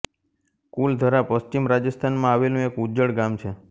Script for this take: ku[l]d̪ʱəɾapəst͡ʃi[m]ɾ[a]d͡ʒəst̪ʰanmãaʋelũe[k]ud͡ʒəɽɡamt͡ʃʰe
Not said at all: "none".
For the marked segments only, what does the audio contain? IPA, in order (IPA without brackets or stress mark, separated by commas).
l, m, a, k